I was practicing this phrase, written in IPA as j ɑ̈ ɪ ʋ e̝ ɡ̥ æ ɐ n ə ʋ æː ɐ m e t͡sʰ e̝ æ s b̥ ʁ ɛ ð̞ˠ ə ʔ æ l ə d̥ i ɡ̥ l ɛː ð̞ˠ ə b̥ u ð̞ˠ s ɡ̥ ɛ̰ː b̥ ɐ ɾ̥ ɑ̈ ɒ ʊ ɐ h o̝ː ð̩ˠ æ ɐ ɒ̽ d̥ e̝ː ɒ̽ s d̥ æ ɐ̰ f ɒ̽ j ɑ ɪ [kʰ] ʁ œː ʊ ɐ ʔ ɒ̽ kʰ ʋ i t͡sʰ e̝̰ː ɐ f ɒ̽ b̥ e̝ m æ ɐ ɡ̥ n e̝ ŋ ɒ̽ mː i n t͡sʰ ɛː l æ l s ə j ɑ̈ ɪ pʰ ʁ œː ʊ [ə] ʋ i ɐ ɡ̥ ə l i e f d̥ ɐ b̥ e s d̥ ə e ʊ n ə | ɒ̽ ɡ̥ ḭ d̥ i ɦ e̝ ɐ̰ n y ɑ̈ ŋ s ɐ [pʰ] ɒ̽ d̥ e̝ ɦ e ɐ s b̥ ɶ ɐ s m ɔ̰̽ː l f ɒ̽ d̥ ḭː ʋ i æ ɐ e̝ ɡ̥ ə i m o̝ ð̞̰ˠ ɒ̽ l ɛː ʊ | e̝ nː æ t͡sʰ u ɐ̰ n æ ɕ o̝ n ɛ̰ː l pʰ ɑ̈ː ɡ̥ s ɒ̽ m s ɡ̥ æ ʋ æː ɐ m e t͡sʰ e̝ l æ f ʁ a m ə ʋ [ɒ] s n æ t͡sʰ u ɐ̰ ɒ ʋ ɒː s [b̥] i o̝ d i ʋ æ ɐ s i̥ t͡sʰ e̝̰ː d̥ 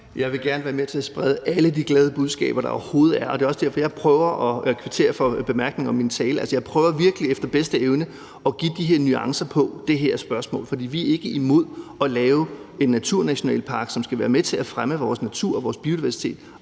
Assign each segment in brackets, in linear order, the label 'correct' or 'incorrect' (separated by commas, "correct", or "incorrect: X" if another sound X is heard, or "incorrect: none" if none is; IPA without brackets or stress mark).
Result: incorrect: pʰ, incorrect: ɐ, correct, incorrect: ɒː, correct